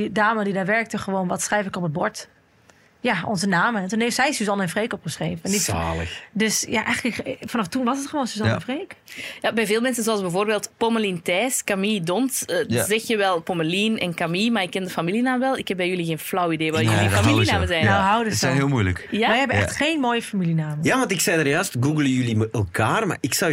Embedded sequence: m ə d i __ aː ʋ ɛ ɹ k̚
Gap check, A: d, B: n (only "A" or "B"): A